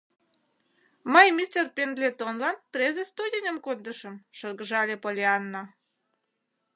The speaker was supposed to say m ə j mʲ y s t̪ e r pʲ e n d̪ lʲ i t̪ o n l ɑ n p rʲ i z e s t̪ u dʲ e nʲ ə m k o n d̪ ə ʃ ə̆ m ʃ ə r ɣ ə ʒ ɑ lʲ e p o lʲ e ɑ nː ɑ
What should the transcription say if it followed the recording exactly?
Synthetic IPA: m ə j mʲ i s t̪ e r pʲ e n d̪ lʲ e t̪ o n l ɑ n p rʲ e z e s t̪ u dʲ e nʲ ə m k o n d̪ ə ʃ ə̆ m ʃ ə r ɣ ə ʒ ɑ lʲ e p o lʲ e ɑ nː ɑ